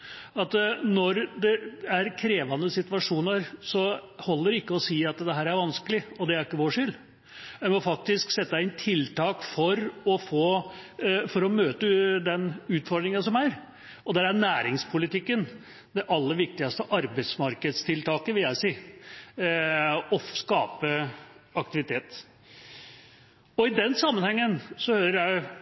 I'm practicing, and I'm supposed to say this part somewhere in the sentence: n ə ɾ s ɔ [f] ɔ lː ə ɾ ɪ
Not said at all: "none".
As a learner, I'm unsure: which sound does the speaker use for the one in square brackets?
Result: h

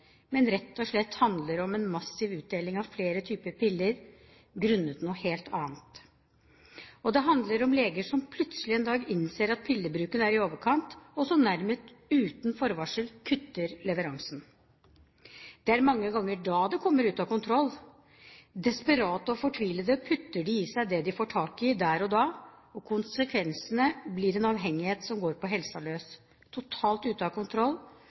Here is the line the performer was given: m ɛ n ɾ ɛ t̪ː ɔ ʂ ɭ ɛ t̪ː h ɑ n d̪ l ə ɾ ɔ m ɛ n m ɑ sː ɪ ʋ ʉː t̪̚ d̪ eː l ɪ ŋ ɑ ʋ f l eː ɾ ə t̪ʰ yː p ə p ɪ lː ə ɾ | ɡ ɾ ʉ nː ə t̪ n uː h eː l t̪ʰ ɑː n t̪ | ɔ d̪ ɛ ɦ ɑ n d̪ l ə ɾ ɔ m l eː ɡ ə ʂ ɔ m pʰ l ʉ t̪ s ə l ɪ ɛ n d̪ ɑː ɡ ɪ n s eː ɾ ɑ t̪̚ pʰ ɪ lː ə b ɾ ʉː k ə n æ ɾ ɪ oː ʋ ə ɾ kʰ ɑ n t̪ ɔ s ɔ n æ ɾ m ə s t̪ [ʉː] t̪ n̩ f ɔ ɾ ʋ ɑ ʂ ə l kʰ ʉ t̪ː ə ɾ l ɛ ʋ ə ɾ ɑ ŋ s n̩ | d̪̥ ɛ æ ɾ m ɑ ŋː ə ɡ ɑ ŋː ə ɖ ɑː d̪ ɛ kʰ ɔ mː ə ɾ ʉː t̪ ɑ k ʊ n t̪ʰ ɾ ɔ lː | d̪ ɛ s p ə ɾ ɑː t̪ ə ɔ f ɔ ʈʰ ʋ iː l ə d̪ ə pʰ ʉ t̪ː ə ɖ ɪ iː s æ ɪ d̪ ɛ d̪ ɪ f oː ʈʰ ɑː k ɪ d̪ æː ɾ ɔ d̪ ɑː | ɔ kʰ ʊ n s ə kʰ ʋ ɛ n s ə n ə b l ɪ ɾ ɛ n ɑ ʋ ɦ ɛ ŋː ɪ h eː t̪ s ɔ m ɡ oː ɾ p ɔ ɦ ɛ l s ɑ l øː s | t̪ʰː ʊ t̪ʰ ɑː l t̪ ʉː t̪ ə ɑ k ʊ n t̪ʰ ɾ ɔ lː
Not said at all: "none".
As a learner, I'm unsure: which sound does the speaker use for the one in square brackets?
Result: ʉː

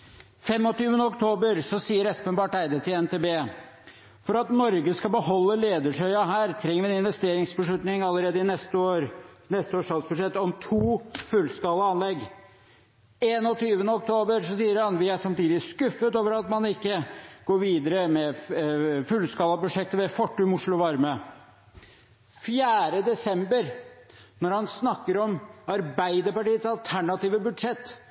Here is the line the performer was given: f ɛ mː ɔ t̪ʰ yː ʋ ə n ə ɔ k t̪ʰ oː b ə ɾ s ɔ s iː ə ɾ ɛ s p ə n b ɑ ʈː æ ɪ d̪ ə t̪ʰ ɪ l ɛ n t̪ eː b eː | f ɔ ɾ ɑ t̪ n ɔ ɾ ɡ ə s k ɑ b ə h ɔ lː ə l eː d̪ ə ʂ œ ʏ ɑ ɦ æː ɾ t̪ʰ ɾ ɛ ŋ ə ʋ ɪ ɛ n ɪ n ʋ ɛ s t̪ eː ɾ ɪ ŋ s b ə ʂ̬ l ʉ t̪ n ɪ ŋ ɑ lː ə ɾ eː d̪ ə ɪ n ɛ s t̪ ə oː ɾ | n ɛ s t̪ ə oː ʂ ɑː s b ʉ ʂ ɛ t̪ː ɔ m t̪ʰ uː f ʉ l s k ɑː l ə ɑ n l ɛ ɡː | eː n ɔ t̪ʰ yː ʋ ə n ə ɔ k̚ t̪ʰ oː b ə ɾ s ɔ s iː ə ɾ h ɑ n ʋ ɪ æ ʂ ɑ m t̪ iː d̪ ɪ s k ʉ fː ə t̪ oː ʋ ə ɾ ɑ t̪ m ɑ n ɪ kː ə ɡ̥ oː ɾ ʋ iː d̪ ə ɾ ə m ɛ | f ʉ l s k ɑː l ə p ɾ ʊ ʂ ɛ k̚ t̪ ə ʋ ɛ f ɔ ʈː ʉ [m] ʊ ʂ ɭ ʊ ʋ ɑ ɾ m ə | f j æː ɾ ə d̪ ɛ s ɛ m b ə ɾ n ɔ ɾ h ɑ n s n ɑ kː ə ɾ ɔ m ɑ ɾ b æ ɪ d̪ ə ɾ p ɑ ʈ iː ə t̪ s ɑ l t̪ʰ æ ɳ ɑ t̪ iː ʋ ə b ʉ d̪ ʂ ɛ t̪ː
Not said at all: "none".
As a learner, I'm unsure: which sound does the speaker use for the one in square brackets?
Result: m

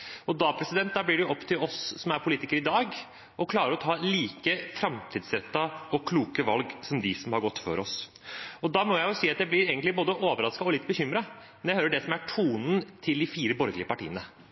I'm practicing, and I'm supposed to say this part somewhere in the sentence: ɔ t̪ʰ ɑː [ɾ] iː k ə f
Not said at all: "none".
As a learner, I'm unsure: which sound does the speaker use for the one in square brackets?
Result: l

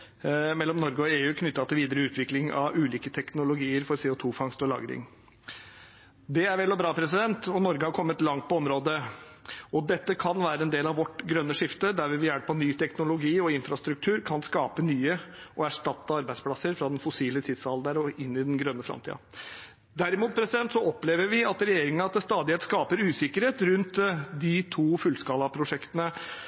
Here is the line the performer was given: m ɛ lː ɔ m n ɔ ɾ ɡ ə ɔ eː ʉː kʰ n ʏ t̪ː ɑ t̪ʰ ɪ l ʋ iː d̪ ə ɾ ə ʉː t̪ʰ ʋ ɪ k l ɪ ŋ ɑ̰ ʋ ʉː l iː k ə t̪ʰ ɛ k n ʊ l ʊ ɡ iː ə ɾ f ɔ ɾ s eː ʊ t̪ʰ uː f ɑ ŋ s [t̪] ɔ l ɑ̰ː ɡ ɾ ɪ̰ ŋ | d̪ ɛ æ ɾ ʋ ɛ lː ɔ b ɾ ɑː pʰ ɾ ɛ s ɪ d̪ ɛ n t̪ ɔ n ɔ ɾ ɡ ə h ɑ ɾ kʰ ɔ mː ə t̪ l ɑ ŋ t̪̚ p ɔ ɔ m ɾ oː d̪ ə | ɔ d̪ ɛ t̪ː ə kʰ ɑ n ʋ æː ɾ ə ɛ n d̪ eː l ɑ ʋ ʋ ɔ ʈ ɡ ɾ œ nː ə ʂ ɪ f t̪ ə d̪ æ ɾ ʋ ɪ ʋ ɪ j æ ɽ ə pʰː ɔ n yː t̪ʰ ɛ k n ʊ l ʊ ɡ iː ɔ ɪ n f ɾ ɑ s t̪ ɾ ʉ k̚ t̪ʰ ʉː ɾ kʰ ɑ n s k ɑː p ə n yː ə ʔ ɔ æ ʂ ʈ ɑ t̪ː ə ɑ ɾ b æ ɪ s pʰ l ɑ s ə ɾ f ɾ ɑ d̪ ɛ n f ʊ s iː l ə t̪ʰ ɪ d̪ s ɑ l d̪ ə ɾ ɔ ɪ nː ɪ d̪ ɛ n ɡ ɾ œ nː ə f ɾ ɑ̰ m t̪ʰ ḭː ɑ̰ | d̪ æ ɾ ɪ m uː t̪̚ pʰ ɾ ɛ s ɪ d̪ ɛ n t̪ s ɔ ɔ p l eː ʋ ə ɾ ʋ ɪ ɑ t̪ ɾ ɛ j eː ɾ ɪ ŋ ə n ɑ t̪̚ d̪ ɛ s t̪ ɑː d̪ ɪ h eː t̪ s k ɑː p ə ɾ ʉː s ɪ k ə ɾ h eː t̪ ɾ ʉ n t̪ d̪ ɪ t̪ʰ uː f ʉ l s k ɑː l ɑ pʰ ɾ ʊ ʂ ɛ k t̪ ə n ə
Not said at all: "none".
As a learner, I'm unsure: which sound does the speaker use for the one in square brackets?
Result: t̪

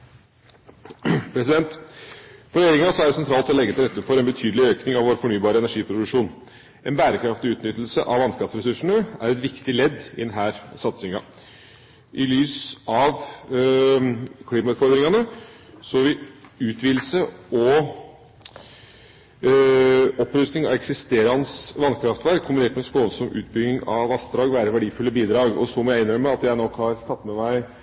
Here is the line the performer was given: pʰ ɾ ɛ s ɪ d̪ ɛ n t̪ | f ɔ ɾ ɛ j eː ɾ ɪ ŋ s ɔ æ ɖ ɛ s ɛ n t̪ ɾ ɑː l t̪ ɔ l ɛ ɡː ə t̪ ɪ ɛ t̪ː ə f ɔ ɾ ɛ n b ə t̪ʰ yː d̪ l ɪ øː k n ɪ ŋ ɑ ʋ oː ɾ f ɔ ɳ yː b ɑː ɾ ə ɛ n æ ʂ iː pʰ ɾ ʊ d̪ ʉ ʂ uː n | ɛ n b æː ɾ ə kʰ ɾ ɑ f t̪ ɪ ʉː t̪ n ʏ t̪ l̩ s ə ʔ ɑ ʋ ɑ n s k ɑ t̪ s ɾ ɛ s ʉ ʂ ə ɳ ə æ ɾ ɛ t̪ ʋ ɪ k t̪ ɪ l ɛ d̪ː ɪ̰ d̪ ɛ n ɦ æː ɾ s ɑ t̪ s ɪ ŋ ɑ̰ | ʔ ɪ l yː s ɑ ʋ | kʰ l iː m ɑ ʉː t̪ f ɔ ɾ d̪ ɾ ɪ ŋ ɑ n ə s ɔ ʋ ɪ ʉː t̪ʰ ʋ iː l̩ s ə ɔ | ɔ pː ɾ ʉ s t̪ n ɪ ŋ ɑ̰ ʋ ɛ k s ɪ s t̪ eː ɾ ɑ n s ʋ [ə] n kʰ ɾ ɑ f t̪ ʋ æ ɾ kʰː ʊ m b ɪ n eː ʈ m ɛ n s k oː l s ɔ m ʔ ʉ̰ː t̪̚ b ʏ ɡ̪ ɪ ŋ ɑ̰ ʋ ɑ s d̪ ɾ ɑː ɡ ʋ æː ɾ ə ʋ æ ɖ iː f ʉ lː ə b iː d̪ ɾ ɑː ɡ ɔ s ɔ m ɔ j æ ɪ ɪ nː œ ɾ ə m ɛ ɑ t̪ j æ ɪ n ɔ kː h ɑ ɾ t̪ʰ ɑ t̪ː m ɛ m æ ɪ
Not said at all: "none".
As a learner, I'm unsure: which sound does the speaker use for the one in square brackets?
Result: ɑ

